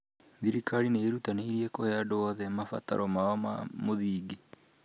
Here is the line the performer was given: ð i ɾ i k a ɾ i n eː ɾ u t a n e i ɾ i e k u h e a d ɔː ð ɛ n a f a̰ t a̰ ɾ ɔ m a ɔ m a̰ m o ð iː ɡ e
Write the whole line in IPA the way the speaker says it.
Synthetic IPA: ð i ɾ i k a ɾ i n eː ɾ u t a n e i ɾ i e k o h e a d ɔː ð ɛ m a f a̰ t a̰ ɾ ɔ m a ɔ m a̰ m o ð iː ɡ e